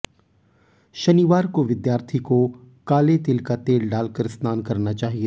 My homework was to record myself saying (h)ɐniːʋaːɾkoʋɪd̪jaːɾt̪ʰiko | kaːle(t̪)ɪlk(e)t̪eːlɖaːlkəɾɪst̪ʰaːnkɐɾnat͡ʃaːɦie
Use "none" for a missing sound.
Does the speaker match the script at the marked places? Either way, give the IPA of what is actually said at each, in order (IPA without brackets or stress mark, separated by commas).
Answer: ʃ, t̪, a